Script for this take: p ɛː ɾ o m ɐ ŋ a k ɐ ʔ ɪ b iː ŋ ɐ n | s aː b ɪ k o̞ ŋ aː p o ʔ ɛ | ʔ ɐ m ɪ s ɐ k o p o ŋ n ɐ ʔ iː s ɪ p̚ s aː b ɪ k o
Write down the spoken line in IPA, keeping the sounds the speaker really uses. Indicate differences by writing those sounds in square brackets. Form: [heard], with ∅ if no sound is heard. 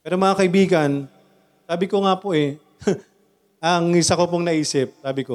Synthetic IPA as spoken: p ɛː ɾ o m ɐ ŋ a k ɐ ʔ ɪ b iː [ɡ] ɐ n | s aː b ɪ k o̞ ŋ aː p o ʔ ɛ | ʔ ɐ [ŋ] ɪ s ɐ k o p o ŋ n ɐ ʔ iː s ɪ p̚ s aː b ɪ k o